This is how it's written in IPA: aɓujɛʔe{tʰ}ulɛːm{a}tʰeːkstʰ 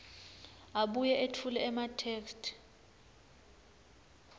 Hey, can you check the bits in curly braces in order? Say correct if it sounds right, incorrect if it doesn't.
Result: correct, correct

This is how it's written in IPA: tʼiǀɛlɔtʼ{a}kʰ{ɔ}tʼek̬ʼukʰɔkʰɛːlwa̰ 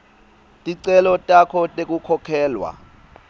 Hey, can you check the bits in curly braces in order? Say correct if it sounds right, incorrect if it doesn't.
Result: correct, correct

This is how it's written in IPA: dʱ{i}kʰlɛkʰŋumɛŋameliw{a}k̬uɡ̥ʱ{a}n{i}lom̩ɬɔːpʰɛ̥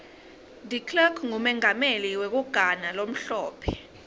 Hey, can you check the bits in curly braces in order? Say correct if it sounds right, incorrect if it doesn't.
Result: correct, incorrect, correct, incorrect

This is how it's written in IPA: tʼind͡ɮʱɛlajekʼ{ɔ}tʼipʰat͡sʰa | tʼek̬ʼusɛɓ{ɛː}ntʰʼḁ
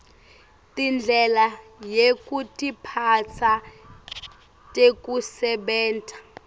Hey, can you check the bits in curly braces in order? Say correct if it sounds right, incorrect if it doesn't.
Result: incorrect, correct

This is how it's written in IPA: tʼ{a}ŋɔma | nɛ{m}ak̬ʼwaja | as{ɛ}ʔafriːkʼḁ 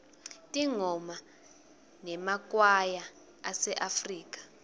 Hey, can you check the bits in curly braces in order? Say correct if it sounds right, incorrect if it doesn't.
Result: incorrect, correct, correct

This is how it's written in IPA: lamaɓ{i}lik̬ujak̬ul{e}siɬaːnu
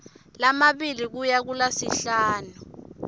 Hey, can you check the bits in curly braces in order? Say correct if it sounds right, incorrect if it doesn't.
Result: correct, incorrect

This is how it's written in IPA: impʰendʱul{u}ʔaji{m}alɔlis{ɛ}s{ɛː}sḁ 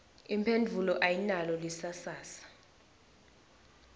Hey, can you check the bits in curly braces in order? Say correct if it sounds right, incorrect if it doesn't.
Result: incorrect, incorrect, incorrect, incorrect

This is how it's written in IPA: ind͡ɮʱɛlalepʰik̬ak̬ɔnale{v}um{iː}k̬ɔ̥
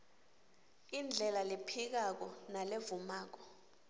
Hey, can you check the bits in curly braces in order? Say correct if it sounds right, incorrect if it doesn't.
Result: correct, incorrect

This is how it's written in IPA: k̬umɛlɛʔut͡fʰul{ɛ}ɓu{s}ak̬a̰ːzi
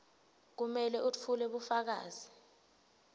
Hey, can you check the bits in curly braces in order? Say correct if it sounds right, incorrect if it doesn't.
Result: correct, incorrect

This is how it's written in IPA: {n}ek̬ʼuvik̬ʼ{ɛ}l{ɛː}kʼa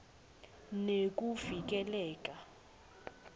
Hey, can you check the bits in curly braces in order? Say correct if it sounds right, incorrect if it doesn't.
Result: correct, correct, correct

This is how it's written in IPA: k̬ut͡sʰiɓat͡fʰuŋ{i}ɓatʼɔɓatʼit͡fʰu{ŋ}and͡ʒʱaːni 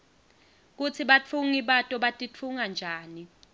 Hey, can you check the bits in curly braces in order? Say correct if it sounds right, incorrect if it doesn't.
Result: correct, correct

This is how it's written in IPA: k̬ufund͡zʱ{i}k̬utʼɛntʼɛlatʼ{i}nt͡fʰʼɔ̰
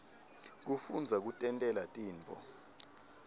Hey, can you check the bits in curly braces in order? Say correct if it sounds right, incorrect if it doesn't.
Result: incorrect, incorrect

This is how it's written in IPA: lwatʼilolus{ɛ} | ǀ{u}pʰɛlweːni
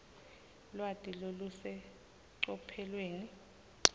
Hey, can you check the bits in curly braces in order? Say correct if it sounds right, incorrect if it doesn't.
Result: correct, incorrect

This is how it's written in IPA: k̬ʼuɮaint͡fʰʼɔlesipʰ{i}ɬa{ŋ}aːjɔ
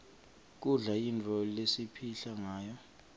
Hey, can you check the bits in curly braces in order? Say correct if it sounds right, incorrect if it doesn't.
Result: correct, correct

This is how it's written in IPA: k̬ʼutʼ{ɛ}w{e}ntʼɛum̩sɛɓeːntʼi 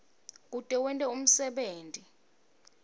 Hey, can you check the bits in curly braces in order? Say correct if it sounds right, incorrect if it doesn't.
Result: correct, incorrect

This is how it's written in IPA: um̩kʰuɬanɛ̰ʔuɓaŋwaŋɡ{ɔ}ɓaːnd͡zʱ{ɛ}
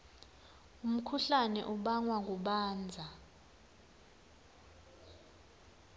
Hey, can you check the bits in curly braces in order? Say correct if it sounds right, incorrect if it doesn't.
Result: incorrect, incorrect

